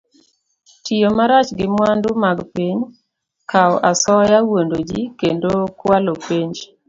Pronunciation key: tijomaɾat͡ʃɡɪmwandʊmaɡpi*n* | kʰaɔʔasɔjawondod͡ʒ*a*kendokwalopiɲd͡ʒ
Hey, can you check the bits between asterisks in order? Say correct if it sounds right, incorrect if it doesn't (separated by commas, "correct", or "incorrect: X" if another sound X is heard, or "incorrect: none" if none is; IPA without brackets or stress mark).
incorrect: ɲ, incorrect: i